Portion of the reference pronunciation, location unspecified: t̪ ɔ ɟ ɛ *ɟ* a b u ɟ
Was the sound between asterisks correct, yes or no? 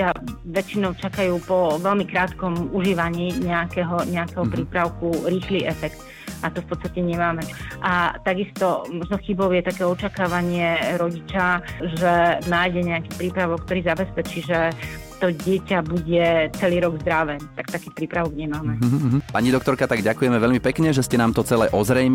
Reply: no